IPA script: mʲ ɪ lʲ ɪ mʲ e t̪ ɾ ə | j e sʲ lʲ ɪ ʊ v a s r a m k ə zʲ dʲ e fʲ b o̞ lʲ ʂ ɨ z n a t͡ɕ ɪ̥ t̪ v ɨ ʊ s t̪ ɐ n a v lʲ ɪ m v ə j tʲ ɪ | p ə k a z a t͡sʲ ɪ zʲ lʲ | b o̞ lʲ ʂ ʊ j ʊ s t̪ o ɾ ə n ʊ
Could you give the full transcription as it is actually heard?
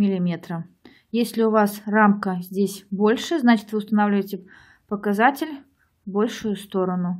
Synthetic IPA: mʲ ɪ lʲ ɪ mʲ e t̪ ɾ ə | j e sʲ lʲ ɪ ʊ v a s r a m k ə zʲ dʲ e sʲ b o̞ lʲ ʂ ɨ z n a t͡ɕ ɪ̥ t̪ v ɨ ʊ s t̪ ɐ n a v lʲ ɪ v ə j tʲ ɪ | p ə k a z a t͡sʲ ɪ lʲ | b o̞ lʲ ʂ ʊ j ʊ s t̪ o ɾ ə n ʊ